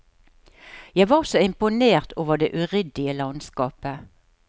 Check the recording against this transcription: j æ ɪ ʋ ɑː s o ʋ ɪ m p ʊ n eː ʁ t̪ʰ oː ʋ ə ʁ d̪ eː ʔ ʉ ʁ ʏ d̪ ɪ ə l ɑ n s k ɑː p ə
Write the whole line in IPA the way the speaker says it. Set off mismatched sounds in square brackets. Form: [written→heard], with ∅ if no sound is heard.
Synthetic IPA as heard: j æ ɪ ʋ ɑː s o [ʋ→∅] ɪ m p ʊ n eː ʁ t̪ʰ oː ʋ ə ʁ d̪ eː ʔ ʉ ʁ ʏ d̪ ɪ ə l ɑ n s k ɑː p ə

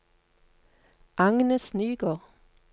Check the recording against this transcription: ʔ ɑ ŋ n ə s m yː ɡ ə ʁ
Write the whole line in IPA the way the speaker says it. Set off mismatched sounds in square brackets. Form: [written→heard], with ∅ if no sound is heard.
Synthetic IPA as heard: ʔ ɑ ŋ n ə s [m→n] yː ɡ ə ʁ

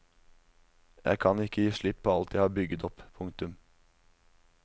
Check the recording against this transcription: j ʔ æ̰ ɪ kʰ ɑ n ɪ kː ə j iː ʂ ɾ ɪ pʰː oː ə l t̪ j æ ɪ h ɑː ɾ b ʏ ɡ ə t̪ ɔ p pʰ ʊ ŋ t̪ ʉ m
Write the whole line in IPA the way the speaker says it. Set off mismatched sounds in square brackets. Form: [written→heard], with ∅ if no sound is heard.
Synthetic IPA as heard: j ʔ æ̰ ɪ kʰ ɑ n ɪ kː ə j iː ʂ [ɾ→ɭ] ɪ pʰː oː [ə→ɑ] l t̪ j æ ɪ h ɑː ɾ b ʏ ɡ ə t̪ ɔ p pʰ ʊ ŋ t̪ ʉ m

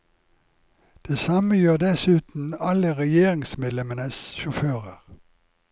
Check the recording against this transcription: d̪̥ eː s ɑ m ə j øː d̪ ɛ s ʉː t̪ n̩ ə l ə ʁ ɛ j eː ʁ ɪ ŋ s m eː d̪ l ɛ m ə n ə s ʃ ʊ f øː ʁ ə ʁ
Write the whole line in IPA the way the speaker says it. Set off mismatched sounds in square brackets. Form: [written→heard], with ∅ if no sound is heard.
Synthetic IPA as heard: d̪̥ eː s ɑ m ə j øː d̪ ɛ s ʉː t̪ n̩ [ə→ɑ] l ə ʁ ɛ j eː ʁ ɪ ŋ s m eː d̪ l ɛ m ə n ə s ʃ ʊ f øː ʁ ə ʁ

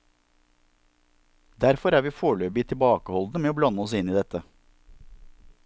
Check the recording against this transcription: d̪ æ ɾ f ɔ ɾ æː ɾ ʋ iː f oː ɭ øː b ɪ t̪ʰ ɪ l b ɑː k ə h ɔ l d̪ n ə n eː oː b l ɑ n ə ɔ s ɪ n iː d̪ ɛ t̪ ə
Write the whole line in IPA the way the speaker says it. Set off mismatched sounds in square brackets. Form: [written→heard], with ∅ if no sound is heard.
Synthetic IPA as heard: d̪ æ ɾ f ɔ ɾ æː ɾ ʋ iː f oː ɭ øː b ɪ t̪ʰ ɪ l b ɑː k ə h ɔ l d̪ n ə [n→m] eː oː b l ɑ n ə ɔ s ɪ n iː d̪ ɛ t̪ ə

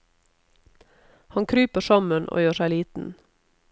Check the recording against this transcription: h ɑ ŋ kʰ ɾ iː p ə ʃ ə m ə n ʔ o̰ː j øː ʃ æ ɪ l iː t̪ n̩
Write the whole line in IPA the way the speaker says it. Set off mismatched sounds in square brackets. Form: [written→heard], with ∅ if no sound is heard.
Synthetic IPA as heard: h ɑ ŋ kʰ ɾ [iː→yː] p ə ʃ [ə→ɑ] m ə n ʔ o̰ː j øː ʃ æ ɪ l iː t̪ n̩

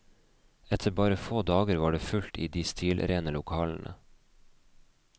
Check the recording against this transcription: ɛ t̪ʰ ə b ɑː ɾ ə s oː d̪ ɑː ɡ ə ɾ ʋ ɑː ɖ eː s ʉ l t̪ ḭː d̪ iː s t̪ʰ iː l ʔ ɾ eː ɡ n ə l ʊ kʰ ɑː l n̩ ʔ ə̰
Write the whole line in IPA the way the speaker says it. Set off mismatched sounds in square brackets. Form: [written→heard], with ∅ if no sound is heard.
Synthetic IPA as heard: ɛ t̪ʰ ə b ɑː ɾ ə [s→f] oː d̪ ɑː ɡ ə ɾ ʋ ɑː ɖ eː [s→f] ʉ l t̪ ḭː d̪ iː s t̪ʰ iː l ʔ ɾ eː [ɡ→∅] n ə l ʊ kʰ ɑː l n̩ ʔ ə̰

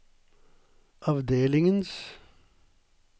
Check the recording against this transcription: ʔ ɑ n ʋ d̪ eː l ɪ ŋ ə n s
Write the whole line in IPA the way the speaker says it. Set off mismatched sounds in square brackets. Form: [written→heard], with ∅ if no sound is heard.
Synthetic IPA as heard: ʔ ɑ [n→∅] ʋ d̪ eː l ɪ ŋ ə n s

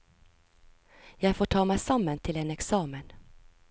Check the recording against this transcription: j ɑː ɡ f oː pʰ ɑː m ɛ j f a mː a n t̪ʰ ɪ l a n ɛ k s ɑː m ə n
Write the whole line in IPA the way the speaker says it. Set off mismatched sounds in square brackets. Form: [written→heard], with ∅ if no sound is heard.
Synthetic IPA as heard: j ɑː ɡ f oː [pʰ→ʈʰ] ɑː m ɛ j [f→s] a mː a n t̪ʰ ɪ l [a→ɛ] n ɛ k s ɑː m ə n

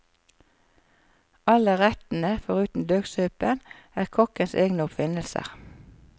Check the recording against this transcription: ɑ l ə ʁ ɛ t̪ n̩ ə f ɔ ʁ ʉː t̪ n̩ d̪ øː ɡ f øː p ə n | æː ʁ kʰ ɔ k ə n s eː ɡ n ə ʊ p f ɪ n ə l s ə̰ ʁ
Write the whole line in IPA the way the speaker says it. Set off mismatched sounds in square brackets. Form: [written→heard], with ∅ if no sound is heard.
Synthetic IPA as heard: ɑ l ə ʁ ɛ t̪ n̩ ə f ɔ ʁ ʉː t̪ n̩ d̪ øː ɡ [f→s] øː p ə n | æː ʁ kʰ ɔ k ə n s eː ɡ n ə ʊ p f ɪ n ə l s ə̰ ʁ

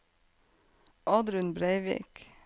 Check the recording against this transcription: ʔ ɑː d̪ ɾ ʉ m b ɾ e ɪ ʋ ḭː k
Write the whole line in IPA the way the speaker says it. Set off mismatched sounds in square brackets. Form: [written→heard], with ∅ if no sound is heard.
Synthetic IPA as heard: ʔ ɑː d̪ ɾ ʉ [m→n] b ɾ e ɪ ʋ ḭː k

